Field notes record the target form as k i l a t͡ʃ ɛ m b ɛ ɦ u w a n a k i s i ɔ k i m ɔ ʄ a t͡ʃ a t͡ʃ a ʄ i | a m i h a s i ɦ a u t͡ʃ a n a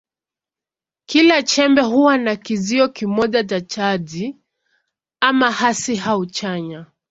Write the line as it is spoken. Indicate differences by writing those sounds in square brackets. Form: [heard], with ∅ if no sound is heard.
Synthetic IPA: k i l a t͡ʃ ɛ m b ɛ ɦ u w a n a k i [z] i ɔ k i m ɔ ʄ a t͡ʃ a t͡ʃ a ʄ i | a m [a] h a s i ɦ a u t͡ʃ a [ɲ] a